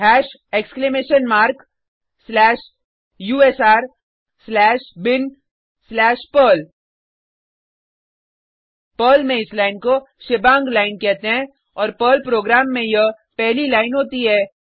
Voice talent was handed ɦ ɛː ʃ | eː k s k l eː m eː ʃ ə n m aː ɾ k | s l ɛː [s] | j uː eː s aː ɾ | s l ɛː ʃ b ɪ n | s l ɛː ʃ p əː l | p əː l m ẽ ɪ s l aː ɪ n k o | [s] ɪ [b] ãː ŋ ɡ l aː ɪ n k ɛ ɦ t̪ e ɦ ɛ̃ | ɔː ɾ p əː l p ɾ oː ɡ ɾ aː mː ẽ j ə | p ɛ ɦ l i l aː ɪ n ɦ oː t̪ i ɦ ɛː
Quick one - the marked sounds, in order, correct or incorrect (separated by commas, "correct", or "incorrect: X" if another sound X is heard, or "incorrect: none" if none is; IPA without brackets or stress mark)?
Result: incorrect: ʃ, incorrect: ʃ, correct